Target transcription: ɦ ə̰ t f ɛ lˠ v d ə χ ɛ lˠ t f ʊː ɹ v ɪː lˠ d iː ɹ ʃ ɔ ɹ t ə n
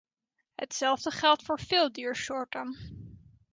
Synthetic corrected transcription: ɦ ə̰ t s ɛ lˠ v d ə χ ɛ lˠ t f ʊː ɹ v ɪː lˠ d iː ɹ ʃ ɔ ɹ t ə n

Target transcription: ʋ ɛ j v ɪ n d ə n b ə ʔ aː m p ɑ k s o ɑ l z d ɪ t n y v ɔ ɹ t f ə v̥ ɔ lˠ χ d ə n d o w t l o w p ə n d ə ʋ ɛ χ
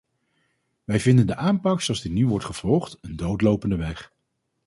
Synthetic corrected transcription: ʋ ɛ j v ɪ n d ə n d ə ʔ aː m p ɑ k s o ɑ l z d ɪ t n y ʋ ɔ ɹ t χ ə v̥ ɔ lˠ χ t ə n d o w t l o w p ə n d ə ʋ ɛ χ

